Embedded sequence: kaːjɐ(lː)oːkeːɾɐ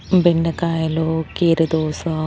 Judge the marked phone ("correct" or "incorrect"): incorrect